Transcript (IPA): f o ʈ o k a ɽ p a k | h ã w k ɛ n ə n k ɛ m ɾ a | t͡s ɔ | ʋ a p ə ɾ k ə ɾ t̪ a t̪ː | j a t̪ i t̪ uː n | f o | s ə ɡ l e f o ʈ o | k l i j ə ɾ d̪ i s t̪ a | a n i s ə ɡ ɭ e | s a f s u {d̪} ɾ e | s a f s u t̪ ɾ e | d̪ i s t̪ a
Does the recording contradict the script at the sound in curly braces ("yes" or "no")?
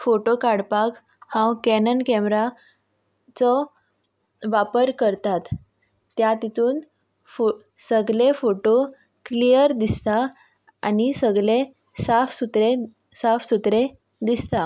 yes